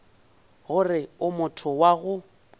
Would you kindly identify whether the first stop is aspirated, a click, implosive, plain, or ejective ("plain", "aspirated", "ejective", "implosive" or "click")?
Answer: aspirated